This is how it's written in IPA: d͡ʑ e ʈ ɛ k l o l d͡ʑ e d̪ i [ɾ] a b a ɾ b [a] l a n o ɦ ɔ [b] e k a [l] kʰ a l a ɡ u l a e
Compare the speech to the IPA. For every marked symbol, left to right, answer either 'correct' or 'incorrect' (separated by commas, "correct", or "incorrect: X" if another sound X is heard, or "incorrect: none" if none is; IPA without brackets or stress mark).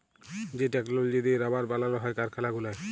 correct, correct, incorrect: none, incorrect: ɾ